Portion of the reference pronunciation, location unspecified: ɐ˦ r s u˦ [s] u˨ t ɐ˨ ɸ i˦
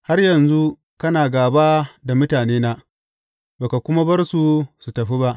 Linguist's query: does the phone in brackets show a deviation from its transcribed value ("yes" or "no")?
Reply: no